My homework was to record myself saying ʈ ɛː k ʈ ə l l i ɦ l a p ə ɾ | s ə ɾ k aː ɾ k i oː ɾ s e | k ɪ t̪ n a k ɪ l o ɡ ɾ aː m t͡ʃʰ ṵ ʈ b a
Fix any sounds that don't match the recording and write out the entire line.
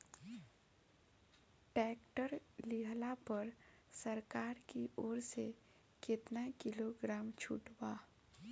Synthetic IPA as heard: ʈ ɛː k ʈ ə ɾ l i ɦ l a p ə ɾ | s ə ɾ k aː ɾ k i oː ɾ s e | k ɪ t̪ n a k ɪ l o ɡ ɾ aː m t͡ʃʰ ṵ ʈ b a